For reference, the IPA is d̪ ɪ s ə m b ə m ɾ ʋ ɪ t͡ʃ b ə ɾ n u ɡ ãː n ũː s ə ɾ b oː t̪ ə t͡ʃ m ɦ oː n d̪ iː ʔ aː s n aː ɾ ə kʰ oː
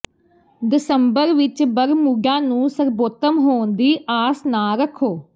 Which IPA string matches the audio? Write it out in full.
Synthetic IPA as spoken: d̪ ɪ s ə m b ə ɾ ʋ ɪ t͡ʃ b ə ɾ m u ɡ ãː n ũː s ə ɾ b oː t̪ ə m ɦ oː n d̪ iː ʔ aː s n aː ɾ ə kʰ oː